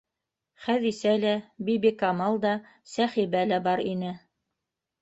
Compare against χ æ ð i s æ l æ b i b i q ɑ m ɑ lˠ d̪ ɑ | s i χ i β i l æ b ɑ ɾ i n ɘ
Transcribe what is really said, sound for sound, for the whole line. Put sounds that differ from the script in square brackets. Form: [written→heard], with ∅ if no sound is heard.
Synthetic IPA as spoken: χ æ ð i s æ l æ b i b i [q→k] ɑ m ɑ lˠ d̪ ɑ | s [i→æ] χ i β [i→æ] l æ b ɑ ɾ i n ɘ